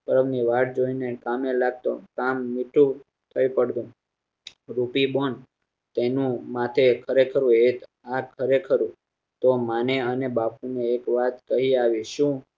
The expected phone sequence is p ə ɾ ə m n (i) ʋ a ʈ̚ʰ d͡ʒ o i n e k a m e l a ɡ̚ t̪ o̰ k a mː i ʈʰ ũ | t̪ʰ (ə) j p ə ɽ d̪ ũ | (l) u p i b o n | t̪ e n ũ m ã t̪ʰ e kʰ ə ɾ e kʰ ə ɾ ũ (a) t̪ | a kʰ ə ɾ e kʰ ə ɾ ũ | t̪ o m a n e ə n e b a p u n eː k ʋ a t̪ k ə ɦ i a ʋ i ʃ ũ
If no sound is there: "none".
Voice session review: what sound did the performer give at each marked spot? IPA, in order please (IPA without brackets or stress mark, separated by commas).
i, ə, ɾ, e